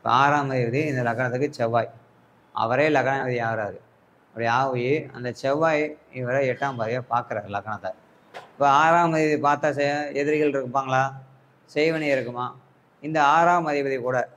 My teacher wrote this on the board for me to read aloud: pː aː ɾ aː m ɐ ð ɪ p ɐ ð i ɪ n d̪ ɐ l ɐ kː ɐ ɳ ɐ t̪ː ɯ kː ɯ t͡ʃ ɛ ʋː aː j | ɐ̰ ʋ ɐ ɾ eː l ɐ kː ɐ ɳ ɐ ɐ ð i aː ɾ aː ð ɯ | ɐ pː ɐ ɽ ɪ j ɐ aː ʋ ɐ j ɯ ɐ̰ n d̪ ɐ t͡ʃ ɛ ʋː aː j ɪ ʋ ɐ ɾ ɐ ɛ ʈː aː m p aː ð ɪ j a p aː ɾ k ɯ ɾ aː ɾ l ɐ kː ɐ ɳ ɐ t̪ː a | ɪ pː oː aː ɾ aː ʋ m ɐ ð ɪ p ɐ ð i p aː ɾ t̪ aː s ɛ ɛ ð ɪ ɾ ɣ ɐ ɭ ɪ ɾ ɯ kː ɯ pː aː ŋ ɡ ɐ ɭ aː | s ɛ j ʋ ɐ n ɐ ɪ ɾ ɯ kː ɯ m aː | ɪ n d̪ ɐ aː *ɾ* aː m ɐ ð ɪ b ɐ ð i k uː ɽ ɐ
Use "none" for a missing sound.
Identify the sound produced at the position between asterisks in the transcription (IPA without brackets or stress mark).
ɾ